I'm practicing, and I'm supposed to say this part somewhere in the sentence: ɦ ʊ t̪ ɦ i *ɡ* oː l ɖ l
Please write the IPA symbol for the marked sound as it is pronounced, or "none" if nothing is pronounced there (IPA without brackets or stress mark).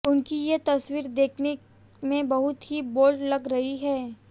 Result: b